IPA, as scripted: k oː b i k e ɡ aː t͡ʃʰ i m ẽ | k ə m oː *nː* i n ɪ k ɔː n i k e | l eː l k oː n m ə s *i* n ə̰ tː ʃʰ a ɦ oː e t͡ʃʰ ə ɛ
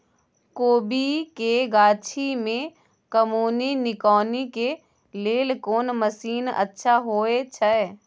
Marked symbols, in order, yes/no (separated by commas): no, no